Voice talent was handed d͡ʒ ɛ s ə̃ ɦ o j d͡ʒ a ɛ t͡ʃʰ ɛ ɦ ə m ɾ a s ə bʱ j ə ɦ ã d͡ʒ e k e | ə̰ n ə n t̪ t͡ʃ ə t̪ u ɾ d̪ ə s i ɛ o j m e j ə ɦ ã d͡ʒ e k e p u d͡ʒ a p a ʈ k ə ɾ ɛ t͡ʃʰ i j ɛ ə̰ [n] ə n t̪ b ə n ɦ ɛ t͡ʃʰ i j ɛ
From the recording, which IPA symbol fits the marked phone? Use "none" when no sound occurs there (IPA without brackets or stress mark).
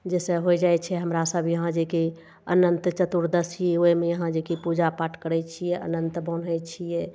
n